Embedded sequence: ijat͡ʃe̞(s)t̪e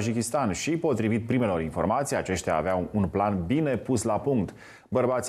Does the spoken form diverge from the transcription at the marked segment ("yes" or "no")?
yes